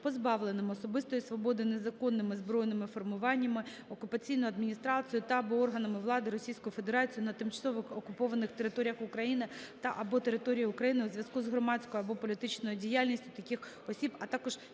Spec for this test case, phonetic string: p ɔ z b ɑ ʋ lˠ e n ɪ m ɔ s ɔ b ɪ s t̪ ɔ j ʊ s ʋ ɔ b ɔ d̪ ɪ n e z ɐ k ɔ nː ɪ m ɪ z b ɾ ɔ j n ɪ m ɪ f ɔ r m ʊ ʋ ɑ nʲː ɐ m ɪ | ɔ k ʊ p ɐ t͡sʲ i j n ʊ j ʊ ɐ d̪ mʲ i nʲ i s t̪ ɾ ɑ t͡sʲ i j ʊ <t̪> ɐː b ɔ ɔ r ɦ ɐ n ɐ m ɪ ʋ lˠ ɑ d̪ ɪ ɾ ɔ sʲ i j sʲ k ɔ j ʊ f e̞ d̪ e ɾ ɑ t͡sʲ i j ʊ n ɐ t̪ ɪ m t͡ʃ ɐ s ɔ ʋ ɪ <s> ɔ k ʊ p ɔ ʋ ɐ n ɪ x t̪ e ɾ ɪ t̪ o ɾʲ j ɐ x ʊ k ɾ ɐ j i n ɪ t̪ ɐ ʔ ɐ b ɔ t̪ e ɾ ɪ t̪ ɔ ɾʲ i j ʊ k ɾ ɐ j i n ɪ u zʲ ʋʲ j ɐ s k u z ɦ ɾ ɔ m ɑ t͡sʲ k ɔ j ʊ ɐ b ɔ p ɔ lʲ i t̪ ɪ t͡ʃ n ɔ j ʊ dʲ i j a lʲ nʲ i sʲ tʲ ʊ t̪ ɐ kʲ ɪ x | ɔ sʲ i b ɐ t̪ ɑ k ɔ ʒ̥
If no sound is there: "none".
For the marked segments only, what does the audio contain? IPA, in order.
t̪, x

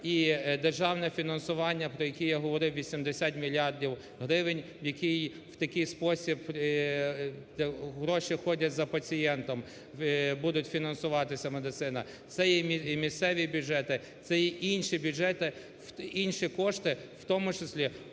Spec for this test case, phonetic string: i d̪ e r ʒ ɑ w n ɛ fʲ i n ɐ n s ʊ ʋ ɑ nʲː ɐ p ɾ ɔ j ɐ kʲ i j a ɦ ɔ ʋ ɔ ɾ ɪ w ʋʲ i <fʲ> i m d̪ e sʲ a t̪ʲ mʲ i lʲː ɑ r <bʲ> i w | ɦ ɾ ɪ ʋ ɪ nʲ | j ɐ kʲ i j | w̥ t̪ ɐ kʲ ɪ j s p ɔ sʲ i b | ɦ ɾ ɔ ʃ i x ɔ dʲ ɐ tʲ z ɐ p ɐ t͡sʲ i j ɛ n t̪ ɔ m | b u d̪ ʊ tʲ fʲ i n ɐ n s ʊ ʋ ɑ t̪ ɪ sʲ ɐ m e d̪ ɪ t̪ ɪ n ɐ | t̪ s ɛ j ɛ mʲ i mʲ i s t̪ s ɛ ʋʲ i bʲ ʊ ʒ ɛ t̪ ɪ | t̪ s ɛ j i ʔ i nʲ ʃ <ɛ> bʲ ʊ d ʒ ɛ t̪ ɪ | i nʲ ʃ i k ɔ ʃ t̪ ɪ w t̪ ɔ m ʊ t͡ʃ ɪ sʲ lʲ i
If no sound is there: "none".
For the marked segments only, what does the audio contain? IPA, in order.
sʲ, dʲ, i

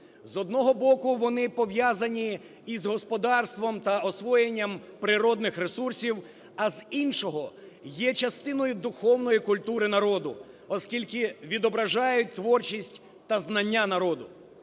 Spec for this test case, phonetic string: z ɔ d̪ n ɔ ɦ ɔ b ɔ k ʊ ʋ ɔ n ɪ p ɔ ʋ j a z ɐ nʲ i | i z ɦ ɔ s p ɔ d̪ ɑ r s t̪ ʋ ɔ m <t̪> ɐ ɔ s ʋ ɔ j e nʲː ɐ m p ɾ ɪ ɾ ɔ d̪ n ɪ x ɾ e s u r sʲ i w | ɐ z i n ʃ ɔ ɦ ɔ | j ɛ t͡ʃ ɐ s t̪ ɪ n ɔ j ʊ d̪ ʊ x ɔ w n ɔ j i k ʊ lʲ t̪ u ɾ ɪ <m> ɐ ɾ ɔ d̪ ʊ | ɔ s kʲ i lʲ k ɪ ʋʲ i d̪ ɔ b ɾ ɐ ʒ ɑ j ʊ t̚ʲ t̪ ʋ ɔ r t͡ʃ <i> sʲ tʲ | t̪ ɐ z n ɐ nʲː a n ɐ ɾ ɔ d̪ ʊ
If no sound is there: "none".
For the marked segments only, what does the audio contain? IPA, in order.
t̪, n, i

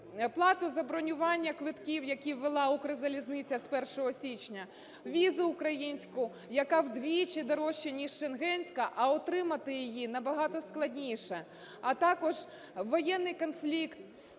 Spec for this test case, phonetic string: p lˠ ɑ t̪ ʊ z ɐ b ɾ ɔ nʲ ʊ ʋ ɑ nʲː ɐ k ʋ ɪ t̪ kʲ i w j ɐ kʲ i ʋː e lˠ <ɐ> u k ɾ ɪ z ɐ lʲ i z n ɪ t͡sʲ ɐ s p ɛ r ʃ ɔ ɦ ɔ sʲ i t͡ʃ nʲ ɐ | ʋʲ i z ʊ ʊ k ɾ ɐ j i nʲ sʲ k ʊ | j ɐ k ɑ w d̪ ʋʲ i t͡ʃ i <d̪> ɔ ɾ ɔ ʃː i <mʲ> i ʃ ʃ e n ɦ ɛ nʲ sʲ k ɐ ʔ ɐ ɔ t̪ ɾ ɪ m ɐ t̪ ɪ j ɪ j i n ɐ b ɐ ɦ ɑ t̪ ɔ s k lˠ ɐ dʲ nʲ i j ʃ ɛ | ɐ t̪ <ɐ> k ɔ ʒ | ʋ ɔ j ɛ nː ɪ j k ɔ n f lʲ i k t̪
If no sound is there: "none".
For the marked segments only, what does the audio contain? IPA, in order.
ɑ, d̪, nʲ, ɑ

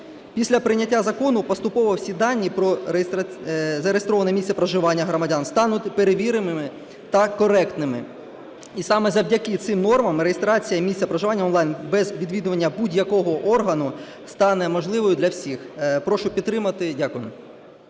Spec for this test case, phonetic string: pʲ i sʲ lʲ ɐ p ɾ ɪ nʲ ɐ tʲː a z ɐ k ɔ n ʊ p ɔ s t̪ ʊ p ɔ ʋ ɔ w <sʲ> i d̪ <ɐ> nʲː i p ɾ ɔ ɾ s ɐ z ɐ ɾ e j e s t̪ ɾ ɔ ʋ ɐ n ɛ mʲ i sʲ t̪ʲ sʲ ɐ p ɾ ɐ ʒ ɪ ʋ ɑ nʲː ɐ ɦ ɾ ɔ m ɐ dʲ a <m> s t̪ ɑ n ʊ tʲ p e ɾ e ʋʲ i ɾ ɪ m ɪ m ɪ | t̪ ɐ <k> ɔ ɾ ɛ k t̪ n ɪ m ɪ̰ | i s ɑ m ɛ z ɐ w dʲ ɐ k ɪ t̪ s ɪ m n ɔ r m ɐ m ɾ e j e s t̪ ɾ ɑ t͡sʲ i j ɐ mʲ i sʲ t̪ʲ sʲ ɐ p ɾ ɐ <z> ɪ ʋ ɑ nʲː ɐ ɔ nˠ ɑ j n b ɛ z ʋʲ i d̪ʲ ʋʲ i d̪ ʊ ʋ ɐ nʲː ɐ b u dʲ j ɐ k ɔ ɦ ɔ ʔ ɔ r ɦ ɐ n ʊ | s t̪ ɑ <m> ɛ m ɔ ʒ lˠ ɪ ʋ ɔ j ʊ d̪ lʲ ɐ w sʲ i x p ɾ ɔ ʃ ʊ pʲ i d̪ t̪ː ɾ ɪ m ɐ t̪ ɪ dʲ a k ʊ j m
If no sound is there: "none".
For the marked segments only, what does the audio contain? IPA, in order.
sʲ, ɑ, n, k, ʒ, n

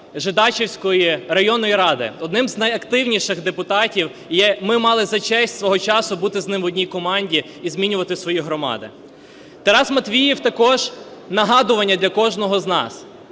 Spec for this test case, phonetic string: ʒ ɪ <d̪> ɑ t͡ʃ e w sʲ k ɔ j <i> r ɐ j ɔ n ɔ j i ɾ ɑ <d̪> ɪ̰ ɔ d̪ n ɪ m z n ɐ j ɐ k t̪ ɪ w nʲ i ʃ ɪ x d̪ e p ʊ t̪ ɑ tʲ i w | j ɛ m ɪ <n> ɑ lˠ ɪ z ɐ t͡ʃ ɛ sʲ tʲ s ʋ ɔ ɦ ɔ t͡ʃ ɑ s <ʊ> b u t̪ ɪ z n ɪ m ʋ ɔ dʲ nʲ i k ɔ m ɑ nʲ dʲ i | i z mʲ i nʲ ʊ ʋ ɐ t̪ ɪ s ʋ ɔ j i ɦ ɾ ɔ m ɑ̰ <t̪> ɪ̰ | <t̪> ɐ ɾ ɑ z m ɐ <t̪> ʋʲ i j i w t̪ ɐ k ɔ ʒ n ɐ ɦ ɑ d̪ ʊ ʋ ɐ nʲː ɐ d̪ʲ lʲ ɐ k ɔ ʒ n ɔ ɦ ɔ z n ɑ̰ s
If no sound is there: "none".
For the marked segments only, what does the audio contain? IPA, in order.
d̪, i, d̪, m, ʊ, d̪, t̪, t̪

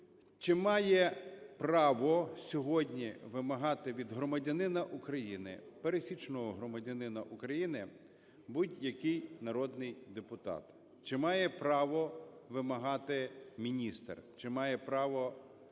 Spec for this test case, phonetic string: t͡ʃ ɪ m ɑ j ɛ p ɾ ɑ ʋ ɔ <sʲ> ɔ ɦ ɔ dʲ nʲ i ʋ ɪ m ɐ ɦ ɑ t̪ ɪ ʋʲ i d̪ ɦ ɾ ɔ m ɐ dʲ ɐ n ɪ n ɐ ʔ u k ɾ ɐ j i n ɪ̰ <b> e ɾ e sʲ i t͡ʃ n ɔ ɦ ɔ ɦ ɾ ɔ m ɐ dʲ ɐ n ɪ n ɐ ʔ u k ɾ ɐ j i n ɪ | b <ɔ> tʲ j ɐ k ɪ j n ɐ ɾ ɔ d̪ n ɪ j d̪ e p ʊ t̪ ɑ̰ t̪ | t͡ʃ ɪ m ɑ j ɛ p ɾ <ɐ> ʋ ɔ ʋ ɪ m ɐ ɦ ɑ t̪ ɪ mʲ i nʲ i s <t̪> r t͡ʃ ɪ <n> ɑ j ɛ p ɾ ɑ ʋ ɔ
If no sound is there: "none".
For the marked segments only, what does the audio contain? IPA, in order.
sʲ, p, u, ɑ, t̪, m

